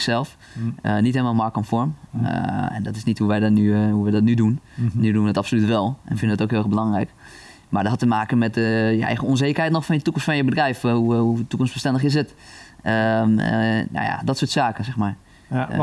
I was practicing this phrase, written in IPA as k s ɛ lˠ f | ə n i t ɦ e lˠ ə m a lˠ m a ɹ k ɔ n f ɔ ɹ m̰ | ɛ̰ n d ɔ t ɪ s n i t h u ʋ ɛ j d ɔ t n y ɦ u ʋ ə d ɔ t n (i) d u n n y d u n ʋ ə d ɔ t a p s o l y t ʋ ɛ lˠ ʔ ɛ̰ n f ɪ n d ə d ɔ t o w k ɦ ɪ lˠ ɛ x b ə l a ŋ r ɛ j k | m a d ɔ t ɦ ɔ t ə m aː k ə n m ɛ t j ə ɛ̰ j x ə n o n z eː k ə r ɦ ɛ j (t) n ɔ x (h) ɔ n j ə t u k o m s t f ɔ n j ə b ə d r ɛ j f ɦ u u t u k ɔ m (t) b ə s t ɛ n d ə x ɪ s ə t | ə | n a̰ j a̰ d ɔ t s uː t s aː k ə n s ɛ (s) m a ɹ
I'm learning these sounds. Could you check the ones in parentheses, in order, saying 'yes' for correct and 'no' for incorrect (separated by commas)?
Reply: no, yes, no, no, no